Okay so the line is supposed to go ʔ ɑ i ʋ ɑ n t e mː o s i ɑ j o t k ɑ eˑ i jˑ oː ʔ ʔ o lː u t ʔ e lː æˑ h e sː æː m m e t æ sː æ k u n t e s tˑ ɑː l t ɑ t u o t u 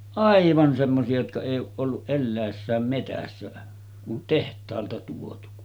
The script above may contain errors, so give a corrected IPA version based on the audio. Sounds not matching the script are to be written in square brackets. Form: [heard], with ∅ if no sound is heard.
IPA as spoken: ʔ ɑ i ʋ ɑ n [s] e mː o s i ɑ j o t k ɑ eˑ i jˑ oː ʔ ʔ o lː u [ʔ] ʔ e lː æˑ [∅] e sː æː m m e t æ sː æ k u n t e [h] tˑ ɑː l t ɑ t u o t u